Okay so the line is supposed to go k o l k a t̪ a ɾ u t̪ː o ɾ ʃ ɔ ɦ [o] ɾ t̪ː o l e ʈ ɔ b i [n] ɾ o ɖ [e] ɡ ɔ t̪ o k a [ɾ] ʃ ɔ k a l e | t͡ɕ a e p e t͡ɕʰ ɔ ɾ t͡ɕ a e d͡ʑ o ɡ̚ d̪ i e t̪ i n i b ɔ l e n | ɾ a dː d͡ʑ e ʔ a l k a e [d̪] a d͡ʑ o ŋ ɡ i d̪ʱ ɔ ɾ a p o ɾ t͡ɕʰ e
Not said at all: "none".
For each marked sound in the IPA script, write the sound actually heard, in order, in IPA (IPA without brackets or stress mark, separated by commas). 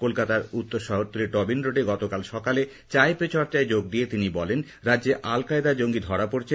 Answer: o, n, e, l, d̪